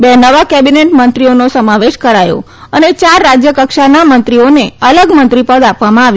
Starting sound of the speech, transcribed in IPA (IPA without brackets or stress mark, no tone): b